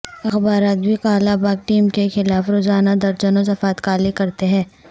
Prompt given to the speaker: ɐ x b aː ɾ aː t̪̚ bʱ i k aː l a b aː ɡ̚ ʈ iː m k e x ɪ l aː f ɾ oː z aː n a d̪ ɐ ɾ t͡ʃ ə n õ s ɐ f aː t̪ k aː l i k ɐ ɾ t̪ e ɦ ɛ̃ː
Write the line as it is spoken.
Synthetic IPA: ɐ x b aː ɾ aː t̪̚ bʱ i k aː l a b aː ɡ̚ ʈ iː m k e x ɪ l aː f ɾ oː z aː n a d̪ ɐ ɾ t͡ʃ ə n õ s ɐ f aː t̪ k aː l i k ɐ ɾ t̪ e ɦ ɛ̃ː